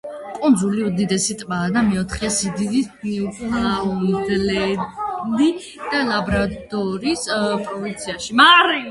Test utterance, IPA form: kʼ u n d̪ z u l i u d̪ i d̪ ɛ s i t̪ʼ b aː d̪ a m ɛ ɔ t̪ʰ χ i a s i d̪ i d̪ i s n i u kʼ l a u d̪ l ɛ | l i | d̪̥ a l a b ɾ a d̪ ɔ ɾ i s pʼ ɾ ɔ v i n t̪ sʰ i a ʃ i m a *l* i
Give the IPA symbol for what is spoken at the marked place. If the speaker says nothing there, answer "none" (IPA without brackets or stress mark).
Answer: ɾ